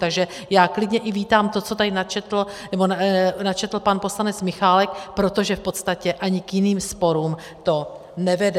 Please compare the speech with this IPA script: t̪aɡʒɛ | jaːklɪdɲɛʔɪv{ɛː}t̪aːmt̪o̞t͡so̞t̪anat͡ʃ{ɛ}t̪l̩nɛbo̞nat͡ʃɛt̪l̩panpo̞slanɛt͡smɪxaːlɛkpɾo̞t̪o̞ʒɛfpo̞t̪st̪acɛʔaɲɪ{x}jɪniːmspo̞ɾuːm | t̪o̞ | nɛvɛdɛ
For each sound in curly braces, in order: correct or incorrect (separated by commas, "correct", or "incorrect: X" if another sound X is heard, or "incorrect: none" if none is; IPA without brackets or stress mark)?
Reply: incorrect: iː, correct, incorrect: k